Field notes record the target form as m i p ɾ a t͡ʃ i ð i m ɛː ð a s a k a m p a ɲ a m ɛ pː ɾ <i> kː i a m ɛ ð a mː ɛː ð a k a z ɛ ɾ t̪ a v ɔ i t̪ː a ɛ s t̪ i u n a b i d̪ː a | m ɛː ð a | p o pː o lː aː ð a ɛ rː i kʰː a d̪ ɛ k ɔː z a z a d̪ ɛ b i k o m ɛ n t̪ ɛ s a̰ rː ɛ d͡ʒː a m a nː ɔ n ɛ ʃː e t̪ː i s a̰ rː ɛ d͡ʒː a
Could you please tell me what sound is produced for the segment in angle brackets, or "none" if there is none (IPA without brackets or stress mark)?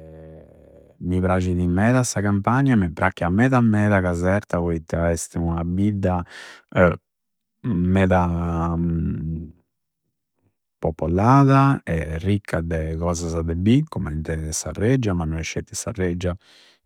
a